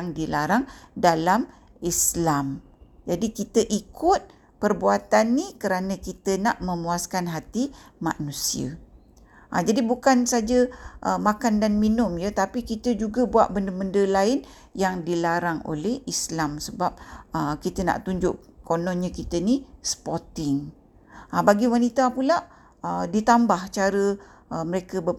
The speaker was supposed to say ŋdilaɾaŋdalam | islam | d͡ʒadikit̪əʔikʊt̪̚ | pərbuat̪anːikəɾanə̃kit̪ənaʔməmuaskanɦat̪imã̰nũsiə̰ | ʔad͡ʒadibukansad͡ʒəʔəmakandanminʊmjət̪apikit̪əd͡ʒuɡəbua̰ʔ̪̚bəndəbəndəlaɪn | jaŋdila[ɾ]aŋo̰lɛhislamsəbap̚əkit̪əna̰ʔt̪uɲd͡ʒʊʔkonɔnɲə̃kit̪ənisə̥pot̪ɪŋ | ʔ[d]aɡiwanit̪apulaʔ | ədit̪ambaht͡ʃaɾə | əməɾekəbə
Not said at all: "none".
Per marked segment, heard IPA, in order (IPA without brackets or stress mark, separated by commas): ɾ, b